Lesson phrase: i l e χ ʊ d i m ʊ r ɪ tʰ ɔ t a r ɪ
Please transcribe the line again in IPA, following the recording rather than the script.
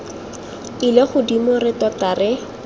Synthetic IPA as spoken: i l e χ ʊ d i m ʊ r ɪ t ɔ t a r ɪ